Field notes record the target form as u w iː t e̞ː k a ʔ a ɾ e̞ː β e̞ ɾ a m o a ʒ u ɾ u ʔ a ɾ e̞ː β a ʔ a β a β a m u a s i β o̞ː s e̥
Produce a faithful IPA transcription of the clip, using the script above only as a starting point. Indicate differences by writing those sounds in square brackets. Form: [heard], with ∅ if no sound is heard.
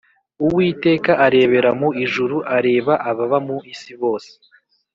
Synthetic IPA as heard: u w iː t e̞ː k a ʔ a ɾ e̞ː β e̞ ɾ a m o [i] ʒ u ɾ u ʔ a ɾ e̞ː β a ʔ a β a β a m u [i] s i β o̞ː s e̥